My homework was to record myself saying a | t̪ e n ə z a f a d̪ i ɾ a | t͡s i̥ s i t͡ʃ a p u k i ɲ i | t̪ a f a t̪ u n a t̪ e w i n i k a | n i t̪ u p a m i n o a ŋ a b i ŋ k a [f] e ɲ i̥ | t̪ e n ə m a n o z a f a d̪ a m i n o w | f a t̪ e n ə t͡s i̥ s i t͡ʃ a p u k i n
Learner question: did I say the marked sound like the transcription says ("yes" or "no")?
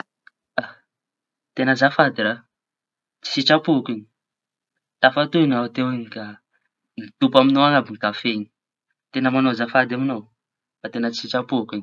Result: yes